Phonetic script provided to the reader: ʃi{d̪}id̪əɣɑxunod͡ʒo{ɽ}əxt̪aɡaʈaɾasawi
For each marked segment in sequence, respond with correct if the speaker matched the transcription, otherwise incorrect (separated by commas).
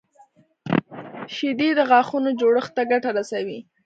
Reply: correct, correct